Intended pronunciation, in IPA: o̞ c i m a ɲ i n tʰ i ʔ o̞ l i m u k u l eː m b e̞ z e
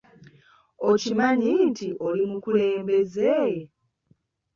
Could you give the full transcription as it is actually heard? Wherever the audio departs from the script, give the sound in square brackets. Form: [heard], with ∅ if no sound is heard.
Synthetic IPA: o̞ c i m a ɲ i n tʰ i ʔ o̞ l i m u k u l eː m b e̞ z e